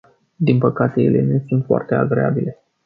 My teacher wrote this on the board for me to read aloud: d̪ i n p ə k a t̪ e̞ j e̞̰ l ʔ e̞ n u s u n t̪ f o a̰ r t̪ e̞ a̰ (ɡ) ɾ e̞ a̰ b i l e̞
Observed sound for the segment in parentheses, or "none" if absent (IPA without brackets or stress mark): ɡ